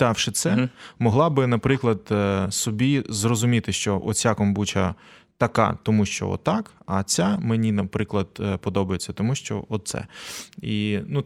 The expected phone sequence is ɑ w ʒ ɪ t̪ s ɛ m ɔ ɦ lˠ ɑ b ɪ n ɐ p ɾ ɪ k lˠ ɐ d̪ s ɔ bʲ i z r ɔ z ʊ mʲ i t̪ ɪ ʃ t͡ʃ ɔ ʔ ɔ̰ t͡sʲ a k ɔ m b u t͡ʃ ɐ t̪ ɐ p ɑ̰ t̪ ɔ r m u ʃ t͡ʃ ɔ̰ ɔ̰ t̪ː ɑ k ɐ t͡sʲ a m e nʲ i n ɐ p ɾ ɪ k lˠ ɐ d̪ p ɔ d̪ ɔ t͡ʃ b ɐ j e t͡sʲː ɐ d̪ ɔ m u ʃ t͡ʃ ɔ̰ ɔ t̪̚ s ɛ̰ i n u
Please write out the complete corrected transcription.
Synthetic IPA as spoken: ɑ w ʃ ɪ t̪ s ɛ m ɔ ɦ lˠ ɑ b ɪ n ɐ p ɾ ɪ k lˠ ɐ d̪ s ɔ bʲ i z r ɔ z ʊ mʲ i t̪ ɪ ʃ t͡ʃ ɔ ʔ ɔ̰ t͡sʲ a k ɔ m b u t͡ʃ ɐ t̪ ɐ k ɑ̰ t̪ ɔ m u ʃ t͡ʃ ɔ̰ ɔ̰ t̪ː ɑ k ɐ t͡sʲ a m e nʲ i n ɐ p ɾ ɪ k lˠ ɐ d̪ p ɔ d̪ ɔ b ɐ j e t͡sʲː ɐ t̪ ɔ m u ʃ t͡ʃ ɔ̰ ɔ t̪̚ s ɛ̰ i n u